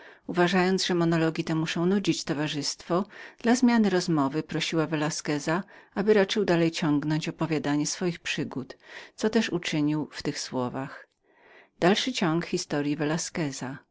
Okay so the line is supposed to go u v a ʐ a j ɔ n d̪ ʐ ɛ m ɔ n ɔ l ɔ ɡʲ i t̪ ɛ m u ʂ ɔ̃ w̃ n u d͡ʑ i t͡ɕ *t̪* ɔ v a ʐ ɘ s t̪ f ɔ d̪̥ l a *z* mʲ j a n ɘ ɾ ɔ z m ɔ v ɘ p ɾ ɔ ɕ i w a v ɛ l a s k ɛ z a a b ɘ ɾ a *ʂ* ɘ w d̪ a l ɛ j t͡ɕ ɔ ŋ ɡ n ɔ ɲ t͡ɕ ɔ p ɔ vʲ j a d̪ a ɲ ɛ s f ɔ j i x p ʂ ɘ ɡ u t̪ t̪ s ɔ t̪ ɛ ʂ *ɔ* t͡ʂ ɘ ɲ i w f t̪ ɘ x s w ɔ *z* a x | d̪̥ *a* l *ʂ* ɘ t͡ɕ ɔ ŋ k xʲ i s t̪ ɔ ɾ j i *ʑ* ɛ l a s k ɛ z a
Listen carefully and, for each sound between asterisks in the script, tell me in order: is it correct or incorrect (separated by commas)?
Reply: correct, correct, incorrect, incorrect, incorrect, correct, correct, incorrect